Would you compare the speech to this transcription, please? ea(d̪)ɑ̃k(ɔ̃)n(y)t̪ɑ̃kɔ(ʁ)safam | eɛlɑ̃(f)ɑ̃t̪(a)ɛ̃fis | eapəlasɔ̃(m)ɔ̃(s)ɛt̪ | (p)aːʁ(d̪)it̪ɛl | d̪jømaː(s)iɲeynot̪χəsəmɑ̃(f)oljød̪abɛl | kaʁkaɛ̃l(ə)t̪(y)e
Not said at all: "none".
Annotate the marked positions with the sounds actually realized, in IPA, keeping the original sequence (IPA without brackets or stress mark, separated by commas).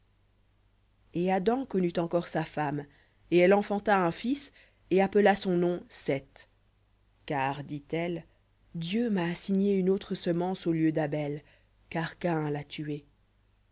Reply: d̪, ɔ, y, ʁ, f, a, n, s, k, d̪, s, s, a, y